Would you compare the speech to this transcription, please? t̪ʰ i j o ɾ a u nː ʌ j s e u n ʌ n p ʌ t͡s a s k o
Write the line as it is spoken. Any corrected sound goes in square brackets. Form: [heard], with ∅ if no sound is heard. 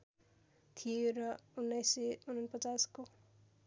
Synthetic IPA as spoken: t̪ʰ i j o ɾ [ʌ] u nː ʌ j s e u n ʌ n p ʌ t͡s a s k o